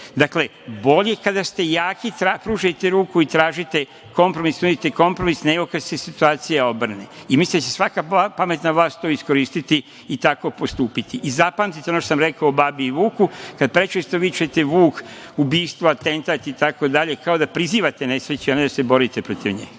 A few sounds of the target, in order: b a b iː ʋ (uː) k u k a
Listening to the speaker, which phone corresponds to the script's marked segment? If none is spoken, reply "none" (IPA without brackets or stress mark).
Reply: uː